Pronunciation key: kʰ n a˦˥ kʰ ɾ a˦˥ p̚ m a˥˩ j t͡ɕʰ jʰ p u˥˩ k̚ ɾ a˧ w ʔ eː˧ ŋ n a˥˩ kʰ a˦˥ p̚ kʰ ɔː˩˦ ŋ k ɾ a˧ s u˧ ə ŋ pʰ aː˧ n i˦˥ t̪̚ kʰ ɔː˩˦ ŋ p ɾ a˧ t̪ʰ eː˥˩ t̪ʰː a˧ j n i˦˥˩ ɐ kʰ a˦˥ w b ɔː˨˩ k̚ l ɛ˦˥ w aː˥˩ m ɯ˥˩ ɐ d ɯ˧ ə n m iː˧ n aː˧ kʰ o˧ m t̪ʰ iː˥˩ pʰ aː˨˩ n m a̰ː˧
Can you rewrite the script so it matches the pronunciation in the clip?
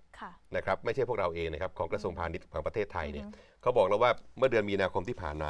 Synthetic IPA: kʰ n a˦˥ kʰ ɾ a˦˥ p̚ m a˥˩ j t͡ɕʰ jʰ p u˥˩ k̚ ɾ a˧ w ʔ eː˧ ŋ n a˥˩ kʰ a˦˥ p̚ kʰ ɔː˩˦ ŋ k ɾ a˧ s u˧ ə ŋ pʰ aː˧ n i˦˥ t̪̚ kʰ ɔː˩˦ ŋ p ɾ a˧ t̪ʰ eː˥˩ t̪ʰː a˧ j n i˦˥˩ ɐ kʰ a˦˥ w b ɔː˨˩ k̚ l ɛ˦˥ w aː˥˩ m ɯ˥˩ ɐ d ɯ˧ ə n m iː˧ n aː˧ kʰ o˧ m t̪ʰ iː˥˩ pʰ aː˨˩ n m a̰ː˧